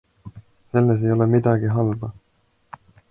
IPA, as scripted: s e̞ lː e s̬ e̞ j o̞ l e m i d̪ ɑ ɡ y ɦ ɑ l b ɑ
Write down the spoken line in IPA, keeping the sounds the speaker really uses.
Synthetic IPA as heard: s e̞ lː e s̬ e̞ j o̞ l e m i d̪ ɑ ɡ i ɦ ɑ l b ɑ